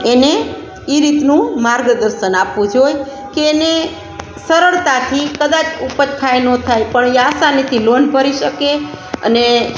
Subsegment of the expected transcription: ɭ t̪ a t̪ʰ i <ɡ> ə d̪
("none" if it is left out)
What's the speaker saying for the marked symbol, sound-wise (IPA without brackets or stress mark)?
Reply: k